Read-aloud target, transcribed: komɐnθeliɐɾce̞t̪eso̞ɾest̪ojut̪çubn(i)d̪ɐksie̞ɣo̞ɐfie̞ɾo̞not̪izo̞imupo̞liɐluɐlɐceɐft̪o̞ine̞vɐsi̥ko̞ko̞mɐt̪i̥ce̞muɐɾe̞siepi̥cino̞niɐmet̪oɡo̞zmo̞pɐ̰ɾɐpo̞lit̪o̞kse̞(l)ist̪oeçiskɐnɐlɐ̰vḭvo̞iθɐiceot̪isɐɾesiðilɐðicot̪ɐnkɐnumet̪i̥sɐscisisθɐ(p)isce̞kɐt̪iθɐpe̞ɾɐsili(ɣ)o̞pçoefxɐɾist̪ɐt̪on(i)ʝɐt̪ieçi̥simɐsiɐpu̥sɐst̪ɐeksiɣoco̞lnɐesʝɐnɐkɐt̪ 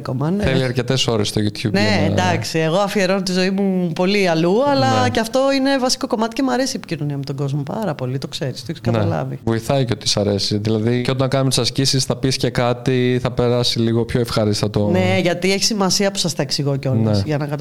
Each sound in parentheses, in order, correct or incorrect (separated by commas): incorrect, incorrect, correct, correct, incorrect